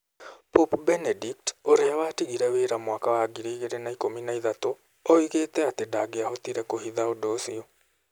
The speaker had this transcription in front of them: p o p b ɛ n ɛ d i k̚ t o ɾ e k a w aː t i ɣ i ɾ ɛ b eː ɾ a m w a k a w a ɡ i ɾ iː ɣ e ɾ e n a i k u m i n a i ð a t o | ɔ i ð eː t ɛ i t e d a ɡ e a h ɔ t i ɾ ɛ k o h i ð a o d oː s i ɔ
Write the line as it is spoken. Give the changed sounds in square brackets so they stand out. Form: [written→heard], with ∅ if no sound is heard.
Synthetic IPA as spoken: p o p b ɛ n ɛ d i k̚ t o ɾ e [k→∅] a w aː t i ɣ i ɾ ɛ [b→w] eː ɾ a m w a k a w a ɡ i ɾ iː ɣ e ɾ e n a i k [u→o] m i n a i ð a t o | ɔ i [ð→ɣ] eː t ɛ [i→a] t e d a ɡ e a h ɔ t i ɾ ɛ k o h i ð a o d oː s i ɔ